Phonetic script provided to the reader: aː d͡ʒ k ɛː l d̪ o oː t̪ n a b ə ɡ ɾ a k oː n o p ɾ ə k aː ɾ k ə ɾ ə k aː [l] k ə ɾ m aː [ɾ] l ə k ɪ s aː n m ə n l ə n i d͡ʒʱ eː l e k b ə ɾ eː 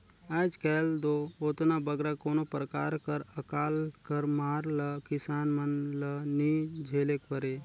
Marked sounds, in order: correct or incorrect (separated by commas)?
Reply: correct, correct